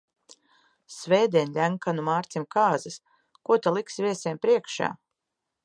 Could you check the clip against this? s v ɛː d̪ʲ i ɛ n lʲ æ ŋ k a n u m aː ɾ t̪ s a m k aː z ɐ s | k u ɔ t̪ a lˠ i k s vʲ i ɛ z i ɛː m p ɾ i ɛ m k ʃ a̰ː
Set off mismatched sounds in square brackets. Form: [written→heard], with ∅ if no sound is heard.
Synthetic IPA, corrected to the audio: s v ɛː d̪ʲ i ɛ n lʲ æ ŋ k a n u m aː ɾ t̪ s [a→i] m k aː z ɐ s | k u ɔ t̪ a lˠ i k s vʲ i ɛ [z→s] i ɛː m p ɾ i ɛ [m→∅] k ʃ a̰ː